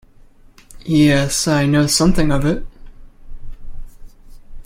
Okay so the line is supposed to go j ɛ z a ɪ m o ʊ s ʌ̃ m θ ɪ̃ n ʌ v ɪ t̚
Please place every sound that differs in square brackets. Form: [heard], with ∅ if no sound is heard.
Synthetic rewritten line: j ɛ [s] a ɪ [n] o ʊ s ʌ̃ m θ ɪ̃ [ŋ] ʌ v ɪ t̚